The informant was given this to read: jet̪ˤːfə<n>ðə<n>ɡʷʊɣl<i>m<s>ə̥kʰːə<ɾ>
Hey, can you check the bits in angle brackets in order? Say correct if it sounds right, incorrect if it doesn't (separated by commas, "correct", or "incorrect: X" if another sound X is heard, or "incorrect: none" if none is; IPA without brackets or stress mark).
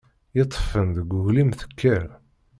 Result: correct, incorrect: none, correct, incorrect: θ, correct